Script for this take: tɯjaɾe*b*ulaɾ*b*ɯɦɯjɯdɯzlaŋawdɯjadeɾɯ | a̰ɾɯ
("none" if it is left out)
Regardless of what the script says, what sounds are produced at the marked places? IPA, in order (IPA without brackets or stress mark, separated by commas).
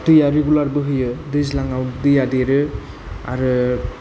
ɡ, b